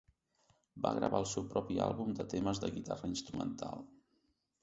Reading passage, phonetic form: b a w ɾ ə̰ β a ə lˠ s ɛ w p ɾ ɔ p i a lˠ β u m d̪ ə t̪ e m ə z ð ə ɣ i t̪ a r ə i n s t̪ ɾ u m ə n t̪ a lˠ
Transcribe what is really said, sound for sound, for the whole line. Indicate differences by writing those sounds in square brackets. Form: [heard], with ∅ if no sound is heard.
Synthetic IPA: b a [ɣ] ɾ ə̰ β a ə lˠ s ɛ w p ɾ ɔ p i a lˠ β u m d̪ ə t̪ e m ə z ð ə ɣ i t̪ a r ə i n s t̪ ɾ u m ə n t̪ a lˠ